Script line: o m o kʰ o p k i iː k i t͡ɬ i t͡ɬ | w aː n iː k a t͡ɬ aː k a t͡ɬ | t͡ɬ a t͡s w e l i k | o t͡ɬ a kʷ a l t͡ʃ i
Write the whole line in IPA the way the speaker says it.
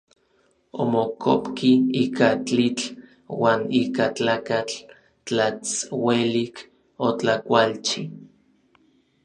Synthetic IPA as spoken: o m o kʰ o p k i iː k a t͡ɬ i t͡ɬ | w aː n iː k a t͡ɬ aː k a t͡ɬ | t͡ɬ a t͡s w e l i k | o t͡ɬ a kʷ a l t͡ʃ i